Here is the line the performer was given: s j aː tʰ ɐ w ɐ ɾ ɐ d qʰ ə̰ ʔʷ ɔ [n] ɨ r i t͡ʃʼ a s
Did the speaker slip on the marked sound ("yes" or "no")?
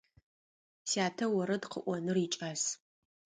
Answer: no